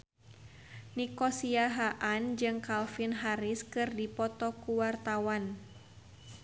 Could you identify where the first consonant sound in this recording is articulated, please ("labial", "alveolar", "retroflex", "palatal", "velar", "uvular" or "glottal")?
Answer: alveolar